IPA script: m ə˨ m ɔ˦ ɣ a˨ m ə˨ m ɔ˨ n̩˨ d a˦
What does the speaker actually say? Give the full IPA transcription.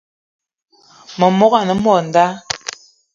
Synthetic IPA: m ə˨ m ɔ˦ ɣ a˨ n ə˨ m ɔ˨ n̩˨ d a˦